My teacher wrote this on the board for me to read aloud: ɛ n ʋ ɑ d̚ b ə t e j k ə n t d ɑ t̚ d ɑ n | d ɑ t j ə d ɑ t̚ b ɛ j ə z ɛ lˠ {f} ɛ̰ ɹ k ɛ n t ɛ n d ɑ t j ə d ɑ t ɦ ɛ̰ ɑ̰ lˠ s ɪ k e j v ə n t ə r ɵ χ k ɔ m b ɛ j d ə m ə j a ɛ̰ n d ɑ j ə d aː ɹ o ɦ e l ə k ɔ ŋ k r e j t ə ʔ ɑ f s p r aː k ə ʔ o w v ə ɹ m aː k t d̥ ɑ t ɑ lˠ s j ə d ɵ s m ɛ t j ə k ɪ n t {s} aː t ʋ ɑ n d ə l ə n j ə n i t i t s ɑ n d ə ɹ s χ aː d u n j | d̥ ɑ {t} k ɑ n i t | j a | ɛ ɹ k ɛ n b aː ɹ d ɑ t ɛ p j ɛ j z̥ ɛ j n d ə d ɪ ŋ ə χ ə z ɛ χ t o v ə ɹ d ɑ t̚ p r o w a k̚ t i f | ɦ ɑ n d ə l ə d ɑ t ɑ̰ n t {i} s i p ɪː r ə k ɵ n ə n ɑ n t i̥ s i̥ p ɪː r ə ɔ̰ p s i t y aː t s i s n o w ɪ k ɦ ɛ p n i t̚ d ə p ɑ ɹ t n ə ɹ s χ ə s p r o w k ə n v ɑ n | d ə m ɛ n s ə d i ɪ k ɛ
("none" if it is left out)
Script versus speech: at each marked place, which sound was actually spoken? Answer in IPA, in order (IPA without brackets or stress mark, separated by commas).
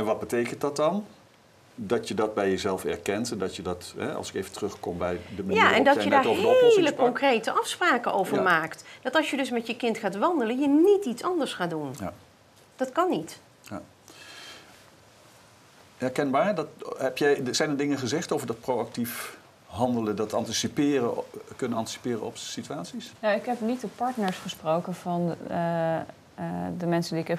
f, χ, t, i